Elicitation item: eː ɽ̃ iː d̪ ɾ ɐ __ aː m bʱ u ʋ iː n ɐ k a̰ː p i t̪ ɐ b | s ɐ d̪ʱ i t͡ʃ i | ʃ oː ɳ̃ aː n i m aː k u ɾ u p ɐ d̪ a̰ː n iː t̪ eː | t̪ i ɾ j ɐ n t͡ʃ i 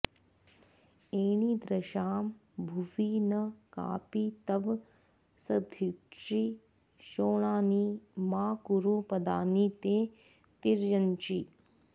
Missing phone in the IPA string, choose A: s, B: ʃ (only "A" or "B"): B